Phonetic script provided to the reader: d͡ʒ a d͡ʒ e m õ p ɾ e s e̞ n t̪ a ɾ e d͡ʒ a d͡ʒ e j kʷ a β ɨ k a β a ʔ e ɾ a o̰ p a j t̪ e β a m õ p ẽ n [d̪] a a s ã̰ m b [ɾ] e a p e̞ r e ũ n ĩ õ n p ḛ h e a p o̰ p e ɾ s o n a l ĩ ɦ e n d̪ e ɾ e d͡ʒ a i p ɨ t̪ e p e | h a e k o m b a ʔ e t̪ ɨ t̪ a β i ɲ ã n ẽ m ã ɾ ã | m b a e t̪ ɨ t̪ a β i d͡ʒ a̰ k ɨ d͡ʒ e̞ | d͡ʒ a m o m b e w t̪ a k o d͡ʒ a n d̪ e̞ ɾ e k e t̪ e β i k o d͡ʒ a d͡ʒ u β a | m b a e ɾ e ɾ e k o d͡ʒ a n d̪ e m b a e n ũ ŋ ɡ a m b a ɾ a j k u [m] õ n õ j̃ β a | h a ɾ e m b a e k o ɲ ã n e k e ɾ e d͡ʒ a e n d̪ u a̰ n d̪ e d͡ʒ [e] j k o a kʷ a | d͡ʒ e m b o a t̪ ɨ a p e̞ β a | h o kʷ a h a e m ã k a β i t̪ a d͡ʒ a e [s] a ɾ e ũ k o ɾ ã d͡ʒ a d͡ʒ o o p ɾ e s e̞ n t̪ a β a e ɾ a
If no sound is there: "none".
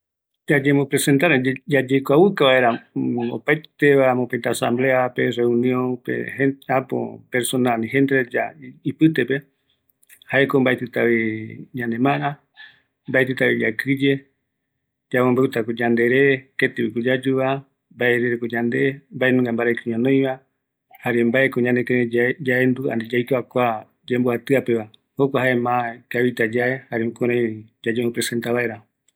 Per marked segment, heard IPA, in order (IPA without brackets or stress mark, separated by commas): t̪, l, ɲ, a, h